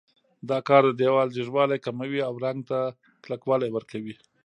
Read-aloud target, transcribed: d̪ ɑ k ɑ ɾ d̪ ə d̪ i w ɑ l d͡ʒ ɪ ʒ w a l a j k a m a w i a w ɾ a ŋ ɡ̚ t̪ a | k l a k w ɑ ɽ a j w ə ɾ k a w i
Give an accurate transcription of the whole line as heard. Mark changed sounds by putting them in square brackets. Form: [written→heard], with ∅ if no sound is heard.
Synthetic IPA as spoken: d̪ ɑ k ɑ ɾ d̪ ə d̪ [i→e] w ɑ l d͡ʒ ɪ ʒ w [a→ɑ] l a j k a m a w i a w ɾ a ŋ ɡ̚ t̪ a | k l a k w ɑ [ɽ→l] a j w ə ɾ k a w i